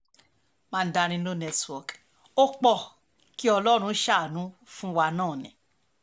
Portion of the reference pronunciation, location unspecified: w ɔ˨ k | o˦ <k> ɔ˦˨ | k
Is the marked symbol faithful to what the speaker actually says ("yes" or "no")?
no